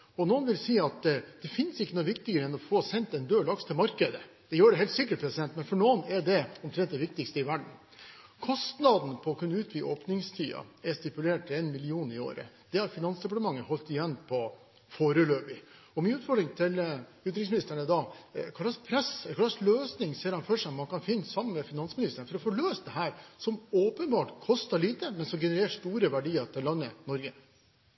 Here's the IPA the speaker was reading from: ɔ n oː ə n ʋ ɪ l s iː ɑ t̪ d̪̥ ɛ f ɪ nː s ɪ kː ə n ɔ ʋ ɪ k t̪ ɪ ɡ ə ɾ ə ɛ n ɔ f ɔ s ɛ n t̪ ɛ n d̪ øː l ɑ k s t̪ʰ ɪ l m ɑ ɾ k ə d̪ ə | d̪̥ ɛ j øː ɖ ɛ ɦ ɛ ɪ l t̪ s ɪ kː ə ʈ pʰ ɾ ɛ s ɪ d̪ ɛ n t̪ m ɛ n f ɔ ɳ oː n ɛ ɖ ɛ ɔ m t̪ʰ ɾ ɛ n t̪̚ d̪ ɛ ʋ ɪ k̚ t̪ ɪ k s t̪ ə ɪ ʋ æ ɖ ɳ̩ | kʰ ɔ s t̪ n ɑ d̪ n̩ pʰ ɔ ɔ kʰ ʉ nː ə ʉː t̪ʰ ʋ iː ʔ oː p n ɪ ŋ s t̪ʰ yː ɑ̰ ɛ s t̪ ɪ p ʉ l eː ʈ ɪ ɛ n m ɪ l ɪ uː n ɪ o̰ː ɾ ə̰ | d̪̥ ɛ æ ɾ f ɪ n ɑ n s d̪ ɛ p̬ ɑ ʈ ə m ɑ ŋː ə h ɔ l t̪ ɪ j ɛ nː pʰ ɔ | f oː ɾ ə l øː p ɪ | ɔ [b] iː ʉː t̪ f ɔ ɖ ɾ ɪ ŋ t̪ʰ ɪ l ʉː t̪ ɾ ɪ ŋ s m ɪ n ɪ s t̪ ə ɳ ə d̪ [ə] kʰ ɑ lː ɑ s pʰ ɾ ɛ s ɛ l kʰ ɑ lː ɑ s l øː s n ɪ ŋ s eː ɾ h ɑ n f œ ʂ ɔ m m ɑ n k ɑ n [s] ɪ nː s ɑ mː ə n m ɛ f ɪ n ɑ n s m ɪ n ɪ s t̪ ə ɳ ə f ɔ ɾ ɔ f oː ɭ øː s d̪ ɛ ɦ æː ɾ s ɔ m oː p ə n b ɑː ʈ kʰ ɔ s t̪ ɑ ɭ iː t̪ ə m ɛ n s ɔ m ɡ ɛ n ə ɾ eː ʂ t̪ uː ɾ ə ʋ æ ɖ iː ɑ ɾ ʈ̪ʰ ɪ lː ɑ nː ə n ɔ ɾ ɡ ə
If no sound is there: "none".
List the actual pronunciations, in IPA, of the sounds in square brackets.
m, ɑ, f

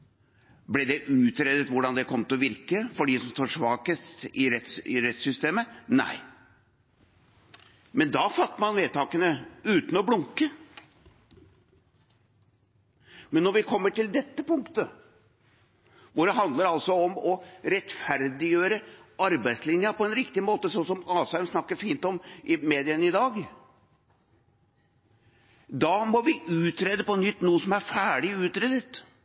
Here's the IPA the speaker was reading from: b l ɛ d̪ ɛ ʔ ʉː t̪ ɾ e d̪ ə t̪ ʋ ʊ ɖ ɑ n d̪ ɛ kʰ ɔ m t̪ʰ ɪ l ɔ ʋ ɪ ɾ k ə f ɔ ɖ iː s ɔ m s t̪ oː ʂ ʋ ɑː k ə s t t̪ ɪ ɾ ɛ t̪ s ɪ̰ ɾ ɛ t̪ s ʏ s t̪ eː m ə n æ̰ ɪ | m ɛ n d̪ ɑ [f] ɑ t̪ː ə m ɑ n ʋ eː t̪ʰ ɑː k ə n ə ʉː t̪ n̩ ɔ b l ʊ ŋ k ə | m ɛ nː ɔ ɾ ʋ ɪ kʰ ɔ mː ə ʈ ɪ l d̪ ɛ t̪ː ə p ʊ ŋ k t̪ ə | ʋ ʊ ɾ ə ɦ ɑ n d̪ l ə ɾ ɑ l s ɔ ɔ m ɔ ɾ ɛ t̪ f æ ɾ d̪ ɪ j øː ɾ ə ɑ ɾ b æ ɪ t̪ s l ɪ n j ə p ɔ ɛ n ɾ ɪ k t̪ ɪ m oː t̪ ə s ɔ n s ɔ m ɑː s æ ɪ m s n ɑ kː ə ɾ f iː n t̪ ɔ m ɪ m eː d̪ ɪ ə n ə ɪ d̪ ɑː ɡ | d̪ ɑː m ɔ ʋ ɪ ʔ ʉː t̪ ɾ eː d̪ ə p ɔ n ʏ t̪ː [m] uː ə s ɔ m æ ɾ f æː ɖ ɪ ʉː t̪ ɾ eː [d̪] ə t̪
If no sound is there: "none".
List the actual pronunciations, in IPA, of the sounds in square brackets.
f, n, d̪

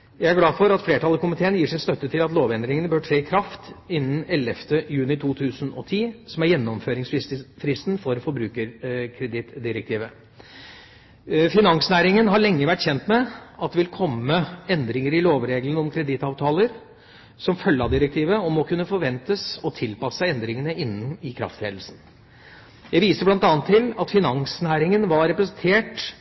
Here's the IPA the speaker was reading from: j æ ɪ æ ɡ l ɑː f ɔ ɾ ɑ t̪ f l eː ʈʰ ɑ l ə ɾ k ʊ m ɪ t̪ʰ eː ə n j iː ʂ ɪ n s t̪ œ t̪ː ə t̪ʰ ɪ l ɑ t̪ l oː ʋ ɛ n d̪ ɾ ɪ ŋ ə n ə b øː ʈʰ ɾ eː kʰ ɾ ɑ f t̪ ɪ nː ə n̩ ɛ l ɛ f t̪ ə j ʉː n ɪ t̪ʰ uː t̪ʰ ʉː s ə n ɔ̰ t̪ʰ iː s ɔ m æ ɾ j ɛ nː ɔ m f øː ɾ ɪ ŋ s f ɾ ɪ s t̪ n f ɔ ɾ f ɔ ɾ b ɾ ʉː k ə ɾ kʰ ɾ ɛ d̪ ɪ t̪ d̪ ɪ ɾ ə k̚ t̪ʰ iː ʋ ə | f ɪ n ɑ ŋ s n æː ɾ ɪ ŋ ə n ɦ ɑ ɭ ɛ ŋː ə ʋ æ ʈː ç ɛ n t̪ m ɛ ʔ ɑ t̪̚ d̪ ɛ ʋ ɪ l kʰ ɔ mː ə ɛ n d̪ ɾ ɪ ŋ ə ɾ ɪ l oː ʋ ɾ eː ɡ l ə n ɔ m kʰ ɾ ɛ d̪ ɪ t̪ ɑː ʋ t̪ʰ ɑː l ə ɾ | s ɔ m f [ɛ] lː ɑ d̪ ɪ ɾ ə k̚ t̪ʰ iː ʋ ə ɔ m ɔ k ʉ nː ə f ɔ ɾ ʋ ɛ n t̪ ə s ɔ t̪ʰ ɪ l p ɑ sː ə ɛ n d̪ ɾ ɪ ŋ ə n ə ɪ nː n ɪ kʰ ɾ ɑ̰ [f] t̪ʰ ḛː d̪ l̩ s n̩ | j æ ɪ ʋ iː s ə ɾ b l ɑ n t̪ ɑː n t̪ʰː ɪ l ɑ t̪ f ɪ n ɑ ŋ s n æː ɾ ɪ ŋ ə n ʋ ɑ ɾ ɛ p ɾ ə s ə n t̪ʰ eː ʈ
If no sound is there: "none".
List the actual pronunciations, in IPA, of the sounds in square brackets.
œ, f

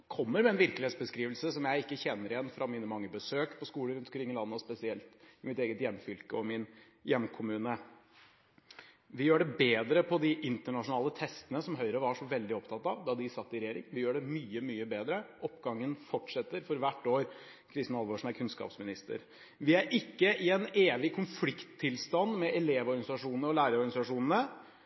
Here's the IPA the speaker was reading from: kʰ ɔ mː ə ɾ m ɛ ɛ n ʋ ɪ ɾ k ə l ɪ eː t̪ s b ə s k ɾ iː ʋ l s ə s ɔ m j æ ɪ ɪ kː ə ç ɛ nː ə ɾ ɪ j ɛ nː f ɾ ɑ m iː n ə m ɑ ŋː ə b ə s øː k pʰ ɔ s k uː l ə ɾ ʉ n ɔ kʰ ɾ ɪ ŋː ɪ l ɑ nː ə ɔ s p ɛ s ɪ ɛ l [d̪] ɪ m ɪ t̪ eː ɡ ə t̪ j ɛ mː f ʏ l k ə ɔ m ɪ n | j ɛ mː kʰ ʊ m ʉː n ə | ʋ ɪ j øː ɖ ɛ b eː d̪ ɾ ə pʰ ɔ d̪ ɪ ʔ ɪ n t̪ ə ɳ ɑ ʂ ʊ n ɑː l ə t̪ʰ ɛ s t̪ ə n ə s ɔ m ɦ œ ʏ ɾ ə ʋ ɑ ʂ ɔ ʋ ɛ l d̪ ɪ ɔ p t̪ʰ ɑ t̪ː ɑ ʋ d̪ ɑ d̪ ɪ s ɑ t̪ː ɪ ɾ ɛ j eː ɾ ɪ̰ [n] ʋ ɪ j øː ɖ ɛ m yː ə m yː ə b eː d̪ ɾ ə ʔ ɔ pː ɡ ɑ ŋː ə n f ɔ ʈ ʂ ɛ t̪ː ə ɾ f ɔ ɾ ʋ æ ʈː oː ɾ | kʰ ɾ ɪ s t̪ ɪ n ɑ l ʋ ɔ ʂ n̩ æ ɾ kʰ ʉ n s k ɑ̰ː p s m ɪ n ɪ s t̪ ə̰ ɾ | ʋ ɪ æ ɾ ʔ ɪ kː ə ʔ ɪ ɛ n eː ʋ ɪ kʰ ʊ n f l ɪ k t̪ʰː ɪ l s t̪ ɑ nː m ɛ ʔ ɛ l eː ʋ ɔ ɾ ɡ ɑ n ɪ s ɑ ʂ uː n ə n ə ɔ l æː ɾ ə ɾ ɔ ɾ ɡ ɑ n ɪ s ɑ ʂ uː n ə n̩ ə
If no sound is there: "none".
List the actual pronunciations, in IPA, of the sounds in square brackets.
t̪, ŋ

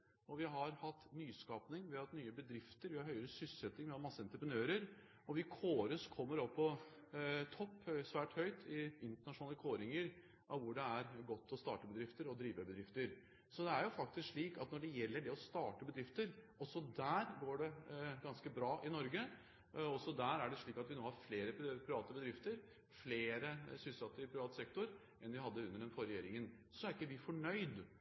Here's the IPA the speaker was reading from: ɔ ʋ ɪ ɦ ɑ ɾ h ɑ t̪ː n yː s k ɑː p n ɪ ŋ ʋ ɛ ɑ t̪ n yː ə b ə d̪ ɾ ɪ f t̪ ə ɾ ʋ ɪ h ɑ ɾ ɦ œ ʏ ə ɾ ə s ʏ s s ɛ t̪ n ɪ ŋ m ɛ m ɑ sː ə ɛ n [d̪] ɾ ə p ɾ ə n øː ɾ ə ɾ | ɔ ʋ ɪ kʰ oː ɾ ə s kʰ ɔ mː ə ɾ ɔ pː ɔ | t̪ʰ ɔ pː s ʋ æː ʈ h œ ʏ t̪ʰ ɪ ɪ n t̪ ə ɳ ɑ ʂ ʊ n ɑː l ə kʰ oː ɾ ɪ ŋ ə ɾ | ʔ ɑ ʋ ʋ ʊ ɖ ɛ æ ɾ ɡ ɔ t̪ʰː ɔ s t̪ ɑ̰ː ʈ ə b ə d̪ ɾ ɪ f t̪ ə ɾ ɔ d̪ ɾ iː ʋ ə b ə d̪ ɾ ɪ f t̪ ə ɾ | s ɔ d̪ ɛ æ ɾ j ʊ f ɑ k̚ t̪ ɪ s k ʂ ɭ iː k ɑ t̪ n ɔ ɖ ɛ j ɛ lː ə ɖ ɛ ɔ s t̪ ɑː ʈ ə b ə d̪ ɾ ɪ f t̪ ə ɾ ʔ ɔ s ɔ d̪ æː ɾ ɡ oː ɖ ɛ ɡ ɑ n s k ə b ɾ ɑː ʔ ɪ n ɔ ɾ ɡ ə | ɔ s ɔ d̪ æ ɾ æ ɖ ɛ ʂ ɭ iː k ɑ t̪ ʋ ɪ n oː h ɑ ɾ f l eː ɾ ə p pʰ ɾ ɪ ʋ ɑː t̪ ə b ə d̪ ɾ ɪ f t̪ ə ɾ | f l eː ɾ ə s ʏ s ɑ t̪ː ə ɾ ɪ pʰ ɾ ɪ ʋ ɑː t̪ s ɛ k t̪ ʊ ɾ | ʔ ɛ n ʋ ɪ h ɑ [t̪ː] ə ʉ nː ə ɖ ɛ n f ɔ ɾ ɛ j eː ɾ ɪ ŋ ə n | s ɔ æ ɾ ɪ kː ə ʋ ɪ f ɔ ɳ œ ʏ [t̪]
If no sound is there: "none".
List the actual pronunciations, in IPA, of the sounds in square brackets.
t̪, d̪ː, d̪

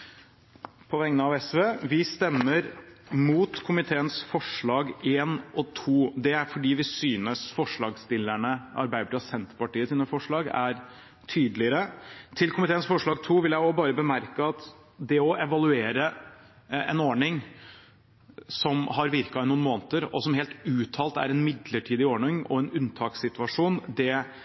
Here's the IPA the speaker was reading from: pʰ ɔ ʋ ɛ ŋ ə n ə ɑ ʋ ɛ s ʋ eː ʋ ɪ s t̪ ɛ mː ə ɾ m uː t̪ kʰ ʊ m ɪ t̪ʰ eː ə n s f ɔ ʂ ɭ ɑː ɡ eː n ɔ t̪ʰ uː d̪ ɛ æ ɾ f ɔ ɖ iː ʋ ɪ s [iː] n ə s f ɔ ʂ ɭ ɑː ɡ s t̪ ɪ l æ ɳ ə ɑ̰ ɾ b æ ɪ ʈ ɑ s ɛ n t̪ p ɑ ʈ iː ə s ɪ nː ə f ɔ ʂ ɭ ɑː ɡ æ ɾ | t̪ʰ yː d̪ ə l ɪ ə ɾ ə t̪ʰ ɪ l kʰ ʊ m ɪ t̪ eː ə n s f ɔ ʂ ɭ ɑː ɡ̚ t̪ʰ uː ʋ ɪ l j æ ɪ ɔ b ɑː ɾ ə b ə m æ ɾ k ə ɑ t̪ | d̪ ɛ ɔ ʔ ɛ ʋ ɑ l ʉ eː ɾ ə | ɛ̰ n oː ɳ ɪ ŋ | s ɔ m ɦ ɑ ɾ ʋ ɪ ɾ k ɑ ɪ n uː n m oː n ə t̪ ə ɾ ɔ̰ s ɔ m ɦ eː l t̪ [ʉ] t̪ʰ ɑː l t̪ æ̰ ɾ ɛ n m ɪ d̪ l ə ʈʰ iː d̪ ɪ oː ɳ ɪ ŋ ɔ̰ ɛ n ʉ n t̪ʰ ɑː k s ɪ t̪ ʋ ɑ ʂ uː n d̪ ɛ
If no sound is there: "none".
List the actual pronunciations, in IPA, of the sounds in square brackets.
yː, ʉː

